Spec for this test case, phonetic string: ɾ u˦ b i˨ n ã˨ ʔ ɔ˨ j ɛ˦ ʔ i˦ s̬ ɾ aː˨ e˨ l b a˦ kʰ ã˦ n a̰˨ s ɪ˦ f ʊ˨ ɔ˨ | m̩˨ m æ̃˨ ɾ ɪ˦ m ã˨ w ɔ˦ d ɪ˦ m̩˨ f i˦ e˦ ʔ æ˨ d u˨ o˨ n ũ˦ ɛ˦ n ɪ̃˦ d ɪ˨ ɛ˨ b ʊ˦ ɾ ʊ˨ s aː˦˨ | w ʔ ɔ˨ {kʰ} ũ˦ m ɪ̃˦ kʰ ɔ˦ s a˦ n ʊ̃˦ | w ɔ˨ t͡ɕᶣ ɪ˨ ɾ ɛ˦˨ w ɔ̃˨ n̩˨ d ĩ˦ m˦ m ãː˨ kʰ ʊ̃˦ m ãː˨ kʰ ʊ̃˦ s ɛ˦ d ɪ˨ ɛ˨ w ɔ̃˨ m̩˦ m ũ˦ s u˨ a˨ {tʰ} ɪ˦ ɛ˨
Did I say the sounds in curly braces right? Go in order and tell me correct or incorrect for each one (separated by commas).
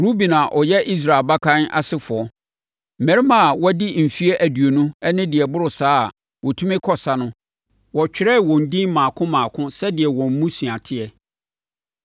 incorrect, correct